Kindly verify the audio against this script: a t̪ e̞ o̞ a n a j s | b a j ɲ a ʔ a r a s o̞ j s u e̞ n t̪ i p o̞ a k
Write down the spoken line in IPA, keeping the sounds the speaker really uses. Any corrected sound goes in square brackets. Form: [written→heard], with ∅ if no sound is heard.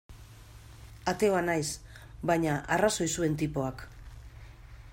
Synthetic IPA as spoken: a t̪ e̞ o̞ a n a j s | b a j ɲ a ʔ a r a s o̞ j s u e̞ n t̪ i p o̞ a k